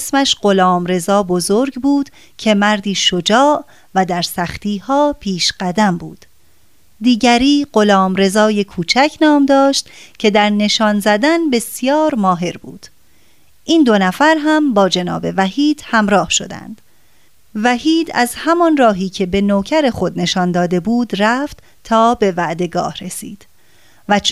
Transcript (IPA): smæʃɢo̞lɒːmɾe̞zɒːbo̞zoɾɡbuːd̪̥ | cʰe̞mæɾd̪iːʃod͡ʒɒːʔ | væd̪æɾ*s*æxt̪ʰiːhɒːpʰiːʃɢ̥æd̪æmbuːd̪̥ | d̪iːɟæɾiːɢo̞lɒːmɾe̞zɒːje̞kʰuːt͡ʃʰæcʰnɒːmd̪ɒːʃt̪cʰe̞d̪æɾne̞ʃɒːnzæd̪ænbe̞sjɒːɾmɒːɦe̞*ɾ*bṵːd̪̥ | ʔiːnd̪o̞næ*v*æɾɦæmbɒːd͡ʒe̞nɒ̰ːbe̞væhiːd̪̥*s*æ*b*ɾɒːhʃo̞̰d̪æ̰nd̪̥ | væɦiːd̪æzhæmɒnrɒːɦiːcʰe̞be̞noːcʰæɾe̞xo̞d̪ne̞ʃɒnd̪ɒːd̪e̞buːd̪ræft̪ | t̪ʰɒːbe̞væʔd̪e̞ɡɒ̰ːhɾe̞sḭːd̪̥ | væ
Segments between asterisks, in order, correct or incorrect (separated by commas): correct, correct, incorrect, incorrect, incorrect